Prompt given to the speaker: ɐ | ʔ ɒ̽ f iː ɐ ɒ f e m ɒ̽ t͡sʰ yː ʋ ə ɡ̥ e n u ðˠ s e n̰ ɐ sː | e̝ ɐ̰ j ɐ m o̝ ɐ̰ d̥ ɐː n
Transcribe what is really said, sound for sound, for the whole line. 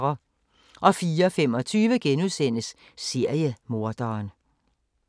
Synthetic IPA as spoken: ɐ | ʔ ɒ̽ f iː ɐ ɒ f e m ɒ̽ t͡sʰ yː ʋ ə ɡ̥ e n u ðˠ s e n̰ ə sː | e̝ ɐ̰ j ə m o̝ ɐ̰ d̥ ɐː n